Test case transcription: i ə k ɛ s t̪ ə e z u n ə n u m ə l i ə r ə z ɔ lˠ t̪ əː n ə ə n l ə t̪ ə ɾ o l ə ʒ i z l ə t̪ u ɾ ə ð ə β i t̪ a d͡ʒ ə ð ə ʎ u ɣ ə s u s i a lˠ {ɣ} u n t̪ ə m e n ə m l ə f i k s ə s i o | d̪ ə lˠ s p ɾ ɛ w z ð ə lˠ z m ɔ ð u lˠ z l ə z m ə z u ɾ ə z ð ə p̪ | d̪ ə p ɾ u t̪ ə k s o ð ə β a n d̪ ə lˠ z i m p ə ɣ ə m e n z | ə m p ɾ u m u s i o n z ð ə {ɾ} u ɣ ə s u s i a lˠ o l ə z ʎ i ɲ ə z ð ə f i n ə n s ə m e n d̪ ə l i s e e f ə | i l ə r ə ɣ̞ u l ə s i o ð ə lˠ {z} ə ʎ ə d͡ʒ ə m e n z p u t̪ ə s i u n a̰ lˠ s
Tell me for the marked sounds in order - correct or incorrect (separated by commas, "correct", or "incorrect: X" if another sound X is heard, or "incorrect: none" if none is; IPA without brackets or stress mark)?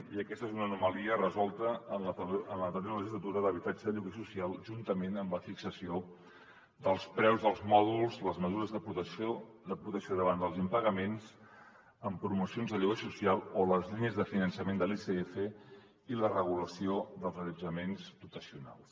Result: incorrect: ʒ, incorrect: ʎ, correct